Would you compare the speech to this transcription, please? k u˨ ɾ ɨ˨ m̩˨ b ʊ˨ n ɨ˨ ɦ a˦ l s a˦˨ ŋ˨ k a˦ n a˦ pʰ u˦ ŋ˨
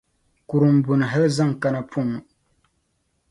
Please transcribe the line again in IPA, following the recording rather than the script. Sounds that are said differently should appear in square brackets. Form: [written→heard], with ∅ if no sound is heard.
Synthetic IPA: k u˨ ɾ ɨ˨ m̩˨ b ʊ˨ n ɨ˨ ɦ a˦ l [s→z] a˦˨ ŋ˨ k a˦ n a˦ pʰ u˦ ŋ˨